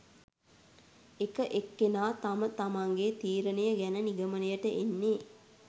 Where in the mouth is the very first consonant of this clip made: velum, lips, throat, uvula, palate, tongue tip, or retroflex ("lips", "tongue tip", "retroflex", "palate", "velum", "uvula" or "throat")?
velum